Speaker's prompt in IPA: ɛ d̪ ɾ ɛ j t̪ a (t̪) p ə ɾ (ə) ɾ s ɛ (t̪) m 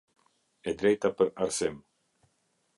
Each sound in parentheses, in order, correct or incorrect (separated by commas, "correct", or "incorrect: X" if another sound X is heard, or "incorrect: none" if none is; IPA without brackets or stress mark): incorrect: none, incorrect: a, incorrect: none